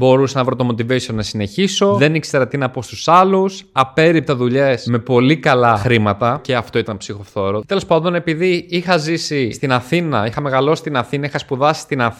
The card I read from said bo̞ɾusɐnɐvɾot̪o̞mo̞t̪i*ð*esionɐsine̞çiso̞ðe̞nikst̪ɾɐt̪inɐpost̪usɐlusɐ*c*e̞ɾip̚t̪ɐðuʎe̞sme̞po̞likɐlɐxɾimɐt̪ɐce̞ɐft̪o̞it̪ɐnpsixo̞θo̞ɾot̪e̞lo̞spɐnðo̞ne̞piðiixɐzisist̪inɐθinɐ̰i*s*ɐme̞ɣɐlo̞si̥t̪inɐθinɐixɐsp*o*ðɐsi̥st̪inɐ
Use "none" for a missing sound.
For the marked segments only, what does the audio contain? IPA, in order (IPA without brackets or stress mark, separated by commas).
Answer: v, p, x, u